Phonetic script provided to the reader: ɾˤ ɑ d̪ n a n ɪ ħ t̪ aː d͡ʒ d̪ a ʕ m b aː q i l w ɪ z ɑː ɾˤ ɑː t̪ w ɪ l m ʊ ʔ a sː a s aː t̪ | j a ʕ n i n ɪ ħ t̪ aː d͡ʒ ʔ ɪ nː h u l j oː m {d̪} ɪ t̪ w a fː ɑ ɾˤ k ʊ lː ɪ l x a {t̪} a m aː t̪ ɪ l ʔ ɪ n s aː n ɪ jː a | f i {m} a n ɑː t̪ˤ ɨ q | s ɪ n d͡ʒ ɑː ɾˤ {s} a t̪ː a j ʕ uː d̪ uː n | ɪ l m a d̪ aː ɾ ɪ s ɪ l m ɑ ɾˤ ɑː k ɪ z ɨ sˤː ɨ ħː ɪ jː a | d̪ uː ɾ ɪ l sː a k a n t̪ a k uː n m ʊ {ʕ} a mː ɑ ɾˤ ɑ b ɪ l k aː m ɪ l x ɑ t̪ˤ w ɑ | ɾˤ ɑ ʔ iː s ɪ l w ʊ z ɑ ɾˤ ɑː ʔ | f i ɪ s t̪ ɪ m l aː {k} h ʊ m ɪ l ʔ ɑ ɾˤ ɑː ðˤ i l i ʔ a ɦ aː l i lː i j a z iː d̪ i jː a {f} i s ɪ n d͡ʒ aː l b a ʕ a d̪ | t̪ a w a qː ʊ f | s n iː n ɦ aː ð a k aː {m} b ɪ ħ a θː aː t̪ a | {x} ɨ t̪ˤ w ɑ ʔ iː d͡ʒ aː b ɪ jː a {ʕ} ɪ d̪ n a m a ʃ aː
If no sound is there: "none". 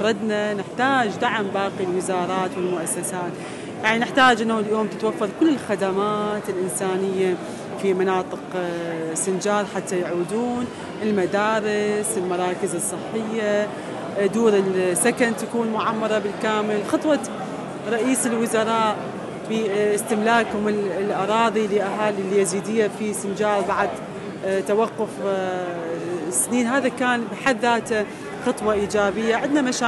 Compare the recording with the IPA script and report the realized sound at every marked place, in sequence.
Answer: t̪, d̪, m, ħ, ʕ, k, f, n, x, ʕ

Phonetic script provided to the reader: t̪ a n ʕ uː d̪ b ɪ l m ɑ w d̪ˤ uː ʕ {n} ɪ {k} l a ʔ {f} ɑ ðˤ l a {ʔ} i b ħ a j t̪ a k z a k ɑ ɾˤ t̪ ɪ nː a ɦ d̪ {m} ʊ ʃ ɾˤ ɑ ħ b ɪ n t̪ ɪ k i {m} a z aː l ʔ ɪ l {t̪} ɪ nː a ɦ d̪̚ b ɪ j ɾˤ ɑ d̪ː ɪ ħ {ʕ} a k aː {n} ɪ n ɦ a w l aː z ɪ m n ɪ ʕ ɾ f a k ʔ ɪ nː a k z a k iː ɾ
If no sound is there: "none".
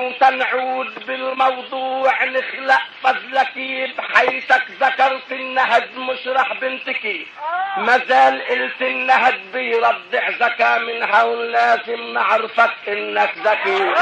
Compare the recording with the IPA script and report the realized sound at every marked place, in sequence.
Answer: n, x, f, k, m, m, t̪, z, m

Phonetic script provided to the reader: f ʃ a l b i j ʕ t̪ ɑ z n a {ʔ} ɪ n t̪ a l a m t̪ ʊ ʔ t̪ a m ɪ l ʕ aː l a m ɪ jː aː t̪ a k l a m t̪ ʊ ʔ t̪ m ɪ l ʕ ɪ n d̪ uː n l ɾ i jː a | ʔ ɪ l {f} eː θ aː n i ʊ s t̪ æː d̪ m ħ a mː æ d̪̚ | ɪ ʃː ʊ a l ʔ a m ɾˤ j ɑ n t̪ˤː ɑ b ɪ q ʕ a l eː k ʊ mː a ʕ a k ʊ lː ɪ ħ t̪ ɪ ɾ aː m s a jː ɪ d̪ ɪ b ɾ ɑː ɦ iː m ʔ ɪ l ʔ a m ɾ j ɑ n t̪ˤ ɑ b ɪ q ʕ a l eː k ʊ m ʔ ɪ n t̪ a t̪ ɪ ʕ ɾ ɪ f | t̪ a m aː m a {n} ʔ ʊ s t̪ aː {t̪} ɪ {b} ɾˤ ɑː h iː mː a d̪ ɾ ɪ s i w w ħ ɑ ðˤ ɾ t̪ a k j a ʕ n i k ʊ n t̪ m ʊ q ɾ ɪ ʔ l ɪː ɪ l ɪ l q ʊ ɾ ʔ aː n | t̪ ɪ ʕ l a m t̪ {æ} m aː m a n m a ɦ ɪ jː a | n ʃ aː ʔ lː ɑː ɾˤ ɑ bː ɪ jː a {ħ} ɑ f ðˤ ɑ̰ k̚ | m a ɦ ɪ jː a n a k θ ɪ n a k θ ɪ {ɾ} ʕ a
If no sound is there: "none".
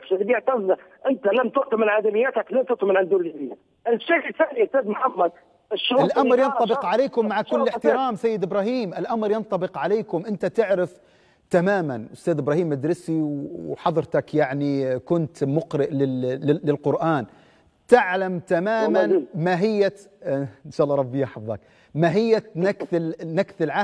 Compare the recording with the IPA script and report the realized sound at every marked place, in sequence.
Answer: ʔ, ʃ, n, d̪, b, a, ħ, l

